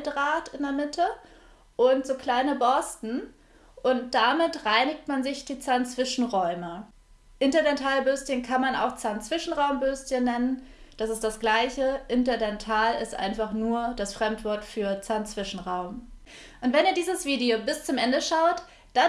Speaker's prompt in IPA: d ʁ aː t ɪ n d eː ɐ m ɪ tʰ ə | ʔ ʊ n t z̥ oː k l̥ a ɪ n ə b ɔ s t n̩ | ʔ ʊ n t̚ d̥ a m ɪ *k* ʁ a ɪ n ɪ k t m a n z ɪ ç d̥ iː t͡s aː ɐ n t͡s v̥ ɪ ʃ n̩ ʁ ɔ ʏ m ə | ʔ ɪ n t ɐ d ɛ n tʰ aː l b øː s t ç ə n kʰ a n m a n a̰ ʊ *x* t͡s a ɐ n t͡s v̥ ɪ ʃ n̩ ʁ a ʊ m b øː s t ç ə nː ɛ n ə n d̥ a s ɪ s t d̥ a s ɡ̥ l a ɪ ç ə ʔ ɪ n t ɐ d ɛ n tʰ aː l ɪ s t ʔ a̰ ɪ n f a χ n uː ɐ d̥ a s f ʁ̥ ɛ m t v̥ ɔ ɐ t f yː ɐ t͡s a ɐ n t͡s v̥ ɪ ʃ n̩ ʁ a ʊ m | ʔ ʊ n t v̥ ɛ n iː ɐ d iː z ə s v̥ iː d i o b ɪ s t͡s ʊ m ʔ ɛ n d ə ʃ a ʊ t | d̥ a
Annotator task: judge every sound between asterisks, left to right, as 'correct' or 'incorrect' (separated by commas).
incorrect, correct